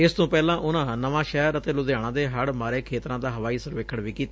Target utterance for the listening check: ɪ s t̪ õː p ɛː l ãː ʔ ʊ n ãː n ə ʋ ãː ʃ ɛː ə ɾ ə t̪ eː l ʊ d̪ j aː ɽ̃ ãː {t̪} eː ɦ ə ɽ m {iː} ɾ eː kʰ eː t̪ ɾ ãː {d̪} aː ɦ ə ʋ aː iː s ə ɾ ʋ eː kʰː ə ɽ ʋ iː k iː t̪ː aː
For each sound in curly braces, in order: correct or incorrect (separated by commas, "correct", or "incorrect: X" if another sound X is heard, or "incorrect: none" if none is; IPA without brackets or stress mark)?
incorrect: d̪, incorrect: aː, correct